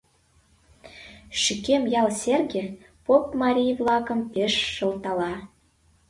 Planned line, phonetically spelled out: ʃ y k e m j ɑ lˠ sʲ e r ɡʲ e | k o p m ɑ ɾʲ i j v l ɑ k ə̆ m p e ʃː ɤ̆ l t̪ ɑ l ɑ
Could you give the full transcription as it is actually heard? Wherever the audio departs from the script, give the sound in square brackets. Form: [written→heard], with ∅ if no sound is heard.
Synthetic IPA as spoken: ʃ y k e m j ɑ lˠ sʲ e r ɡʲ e | [k→p] o p m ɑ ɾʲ i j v l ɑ k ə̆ m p e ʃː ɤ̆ l t̪ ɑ l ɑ